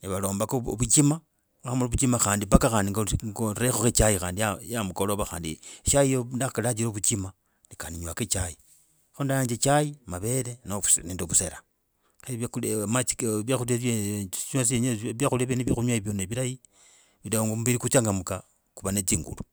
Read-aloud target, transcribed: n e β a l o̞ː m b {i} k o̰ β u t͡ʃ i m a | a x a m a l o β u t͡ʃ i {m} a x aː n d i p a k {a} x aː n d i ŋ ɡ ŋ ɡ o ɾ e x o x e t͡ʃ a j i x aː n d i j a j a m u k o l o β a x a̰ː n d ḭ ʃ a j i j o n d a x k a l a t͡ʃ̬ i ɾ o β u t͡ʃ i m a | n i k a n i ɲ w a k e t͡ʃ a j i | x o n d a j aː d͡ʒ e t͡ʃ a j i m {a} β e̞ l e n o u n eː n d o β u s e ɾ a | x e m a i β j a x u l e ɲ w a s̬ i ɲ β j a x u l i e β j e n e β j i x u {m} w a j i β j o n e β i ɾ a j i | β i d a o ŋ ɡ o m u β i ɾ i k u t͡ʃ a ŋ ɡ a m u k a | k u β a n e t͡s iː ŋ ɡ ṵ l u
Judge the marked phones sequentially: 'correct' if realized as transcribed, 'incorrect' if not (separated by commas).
incorrect, correct, correct, correct, incorrect